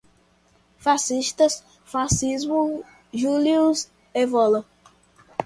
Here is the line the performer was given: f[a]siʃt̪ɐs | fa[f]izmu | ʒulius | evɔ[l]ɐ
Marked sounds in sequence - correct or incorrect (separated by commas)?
correct, incorrect, correct